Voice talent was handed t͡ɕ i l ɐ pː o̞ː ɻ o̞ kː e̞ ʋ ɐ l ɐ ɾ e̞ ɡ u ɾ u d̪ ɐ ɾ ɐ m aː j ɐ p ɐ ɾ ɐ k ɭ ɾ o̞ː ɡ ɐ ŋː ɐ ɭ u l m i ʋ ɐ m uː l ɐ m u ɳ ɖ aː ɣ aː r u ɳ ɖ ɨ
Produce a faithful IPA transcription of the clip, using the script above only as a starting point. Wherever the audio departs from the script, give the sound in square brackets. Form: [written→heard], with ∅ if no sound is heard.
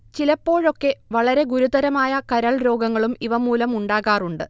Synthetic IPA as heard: t͡ɕ i l ɐ pː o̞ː ɻ o̞ kː e̞ ʋ ɐ [l→ɭ] ɐ ɾ e̞ ɡ u ɾ u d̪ ɐ ɾ ɐ m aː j ɐ [p→k] ɐ ɾ ɐ [k→∅] ɭ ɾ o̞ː ɡ ɐ ŋː ɐ ɭ u [l→∅] m i ʋ ɐ m uː l ɐ m u ɳ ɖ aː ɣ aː r u ɳ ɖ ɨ